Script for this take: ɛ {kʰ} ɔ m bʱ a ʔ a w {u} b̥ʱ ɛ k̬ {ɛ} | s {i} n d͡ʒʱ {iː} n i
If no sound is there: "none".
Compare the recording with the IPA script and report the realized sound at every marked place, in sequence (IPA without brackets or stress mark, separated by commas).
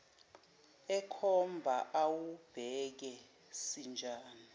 kʰ, u, ɛ, i, aː